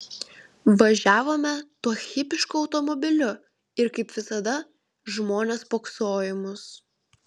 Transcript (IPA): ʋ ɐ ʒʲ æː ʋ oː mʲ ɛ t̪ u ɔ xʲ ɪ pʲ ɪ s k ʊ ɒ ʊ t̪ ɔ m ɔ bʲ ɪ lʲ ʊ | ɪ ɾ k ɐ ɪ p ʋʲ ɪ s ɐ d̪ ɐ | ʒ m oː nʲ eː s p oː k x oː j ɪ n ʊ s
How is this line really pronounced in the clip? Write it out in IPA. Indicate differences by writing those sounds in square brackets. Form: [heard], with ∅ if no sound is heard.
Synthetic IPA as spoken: ʋ ɐ ʒʲ æː ʋ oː mʲ ɛ t̪ u ɔ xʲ ɪ pʲ ɪ [ʃ] k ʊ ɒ ʊ t̪ ɔ m ɔ bʲ ɪ lʲ ʊ | ɪ ɾ k ɐ ɪ p ʋʲ ɪ s ɐ d̪ ɐ | ʒ m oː nʲ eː s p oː k [s] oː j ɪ [m] ʊ s